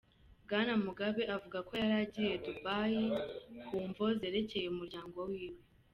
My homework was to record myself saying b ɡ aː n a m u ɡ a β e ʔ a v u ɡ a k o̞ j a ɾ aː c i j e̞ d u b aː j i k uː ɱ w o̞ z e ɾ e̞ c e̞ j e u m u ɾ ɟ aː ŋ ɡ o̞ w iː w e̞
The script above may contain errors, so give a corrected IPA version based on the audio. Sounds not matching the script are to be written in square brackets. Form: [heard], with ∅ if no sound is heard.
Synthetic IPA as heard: b ɡ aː n a m u ɡ a β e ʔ a v u ɡ a k o̞ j a ɾ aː [ɟ] i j e̞ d u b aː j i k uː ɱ [v] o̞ z e ɾ e̞ c e̞ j e u m u ɾ ɟ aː ŋ ɡ o̞ w iː w e̞